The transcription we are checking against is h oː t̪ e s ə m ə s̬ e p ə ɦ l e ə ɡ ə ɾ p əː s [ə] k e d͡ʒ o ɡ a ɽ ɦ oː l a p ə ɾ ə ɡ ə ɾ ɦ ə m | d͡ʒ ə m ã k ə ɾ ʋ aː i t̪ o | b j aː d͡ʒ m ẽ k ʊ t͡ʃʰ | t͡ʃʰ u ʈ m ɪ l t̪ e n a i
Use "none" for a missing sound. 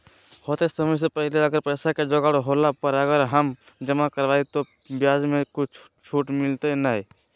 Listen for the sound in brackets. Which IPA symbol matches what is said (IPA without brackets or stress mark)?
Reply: a